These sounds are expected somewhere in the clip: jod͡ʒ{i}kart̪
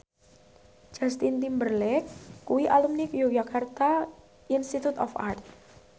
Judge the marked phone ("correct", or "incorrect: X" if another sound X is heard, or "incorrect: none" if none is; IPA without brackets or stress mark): incorrect: a